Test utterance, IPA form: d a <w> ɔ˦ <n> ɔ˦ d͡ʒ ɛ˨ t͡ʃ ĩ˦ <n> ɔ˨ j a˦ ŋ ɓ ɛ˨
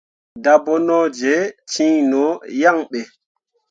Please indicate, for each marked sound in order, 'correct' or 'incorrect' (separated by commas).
incorrect, correct, correct